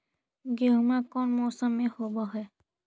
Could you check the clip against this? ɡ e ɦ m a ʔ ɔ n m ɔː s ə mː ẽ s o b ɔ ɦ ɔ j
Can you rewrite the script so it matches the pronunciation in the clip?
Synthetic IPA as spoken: ɡ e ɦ m a k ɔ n m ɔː s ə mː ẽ h o b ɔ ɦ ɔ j